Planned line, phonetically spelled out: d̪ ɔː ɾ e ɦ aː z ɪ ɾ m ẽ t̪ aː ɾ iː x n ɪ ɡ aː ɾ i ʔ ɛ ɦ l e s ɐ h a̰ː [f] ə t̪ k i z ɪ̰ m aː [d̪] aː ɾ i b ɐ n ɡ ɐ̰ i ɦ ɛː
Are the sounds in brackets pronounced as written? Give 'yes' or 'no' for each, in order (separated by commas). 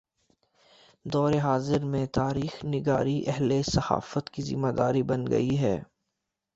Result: yes, yes